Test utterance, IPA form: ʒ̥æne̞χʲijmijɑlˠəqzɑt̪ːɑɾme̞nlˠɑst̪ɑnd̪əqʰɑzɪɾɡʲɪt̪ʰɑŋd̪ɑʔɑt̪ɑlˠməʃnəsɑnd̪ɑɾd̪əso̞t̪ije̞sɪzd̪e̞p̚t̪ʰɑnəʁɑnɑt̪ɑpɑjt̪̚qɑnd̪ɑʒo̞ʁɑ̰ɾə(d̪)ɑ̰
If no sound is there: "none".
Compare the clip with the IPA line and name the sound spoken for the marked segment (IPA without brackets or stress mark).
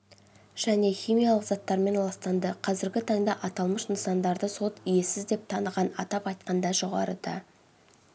d̪